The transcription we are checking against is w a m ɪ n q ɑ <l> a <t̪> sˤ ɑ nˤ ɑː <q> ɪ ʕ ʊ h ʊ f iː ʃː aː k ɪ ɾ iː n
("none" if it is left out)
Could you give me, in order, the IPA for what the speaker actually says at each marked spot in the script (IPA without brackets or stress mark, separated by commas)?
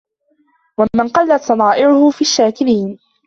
lː, t̪, ʔ